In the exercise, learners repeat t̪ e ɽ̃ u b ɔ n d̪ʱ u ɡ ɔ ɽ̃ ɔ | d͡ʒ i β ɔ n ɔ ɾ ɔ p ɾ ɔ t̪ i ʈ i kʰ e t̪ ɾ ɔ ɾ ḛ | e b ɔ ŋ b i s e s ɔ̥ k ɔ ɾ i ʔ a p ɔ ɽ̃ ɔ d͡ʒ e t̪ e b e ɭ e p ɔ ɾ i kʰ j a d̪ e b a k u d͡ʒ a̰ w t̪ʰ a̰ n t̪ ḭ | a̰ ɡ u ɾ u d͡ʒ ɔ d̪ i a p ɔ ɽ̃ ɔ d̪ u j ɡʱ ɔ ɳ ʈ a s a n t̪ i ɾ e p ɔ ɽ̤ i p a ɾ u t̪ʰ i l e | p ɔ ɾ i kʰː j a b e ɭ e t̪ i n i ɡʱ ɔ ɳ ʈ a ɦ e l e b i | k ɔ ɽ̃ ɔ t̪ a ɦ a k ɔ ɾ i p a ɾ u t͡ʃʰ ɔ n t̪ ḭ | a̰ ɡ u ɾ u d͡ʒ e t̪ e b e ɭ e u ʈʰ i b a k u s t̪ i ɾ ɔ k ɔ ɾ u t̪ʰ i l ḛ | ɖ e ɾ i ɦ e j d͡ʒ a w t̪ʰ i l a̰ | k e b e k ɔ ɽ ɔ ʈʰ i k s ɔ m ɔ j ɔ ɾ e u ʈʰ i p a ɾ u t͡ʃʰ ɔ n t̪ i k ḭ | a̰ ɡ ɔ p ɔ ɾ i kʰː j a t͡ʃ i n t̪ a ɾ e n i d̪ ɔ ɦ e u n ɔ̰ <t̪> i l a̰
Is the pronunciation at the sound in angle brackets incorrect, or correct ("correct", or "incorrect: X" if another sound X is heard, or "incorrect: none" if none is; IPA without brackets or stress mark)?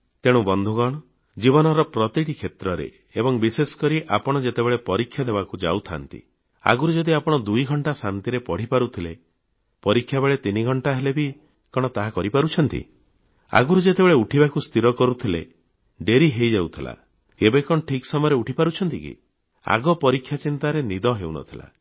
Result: incorrect: t̪ʰ